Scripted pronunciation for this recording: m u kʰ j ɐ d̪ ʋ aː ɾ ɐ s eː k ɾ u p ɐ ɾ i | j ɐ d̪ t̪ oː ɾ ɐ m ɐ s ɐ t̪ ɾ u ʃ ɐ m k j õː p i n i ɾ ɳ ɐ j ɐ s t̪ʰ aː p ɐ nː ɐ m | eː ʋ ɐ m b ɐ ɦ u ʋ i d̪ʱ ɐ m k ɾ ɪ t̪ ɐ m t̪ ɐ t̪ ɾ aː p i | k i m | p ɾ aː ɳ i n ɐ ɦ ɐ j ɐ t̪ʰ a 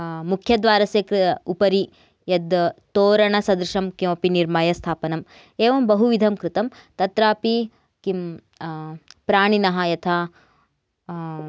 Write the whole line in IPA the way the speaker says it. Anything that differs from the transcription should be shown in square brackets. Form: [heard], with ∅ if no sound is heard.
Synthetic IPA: m u kʰ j ɐ d̪ ʋ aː ɾ ɐ s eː k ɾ u p ɐ ɾ i | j ɐ d̪ t̪ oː ɾ ɐ [ɳ] ɐ s ɐ [d̪] ɾ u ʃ ɐ m k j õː p i n i ɾ [m] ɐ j ɐ s t̪ʰ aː p ɐ [n] ɐ m | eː ʋ ɐ m b ɐ ɦ u ʋ i d̪ʱ ɐ m k ɾ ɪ t̪ ɐ m t̪ ɐ t̪ ɾ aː p i | k i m | p ɾ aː ɳ i n ɐ ɦ ɐ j ɐ t̪ʰ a